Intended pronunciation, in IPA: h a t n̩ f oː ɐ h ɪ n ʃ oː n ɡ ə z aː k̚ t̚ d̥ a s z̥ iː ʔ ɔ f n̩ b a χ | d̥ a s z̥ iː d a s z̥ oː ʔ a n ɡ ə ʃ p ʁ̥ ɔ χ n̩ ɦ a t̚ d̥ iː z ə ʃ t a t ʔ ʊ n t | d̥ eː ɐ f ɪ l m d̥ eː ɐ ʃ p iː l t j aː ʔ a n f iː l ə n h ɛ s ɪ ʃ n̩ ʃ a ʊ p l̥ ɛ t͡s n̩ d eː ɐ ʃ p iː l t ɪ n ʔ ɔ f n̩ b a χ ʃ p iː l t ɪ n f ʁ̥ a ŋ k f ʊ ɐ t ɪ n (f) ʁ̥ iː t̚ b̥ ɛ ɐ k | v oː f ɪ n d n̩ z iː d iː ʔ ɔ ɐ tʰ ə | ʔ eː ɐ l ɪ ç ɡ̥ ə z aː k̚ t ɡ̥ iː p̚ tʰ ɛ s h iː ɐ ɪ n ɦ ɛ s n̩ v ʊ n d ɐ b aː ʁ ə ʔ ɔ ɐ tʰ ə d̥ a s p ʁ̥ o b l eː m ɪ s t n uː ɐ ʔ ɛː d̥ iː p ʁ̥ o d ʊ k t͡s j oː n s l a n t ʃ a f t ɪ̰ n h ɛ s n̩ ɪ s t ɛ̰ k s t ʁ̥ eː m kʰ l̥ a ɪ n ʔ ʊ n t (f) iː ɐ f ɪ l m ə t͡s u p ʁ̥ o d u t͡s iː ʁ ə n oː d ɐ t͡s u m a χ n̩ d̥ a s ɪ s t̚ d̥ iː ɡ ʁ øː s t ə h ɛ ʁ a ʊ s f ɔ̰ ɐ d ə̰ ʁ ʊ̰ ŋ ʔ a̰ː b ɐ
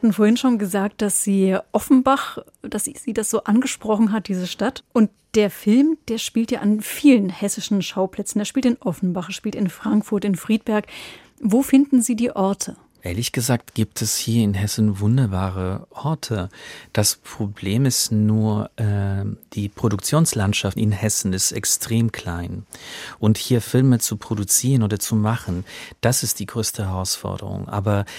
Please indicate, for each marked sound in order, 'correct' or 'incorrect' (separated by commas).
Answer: correct, incorrect